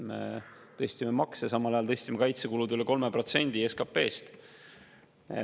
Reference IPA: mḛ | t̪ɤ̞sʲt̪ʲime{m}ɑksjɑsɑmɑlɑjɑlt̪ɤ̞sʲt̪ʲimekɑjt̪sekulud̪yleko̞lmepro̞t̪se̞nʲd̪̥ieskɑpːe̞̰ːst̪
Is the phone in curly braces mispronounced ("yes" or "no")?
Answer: no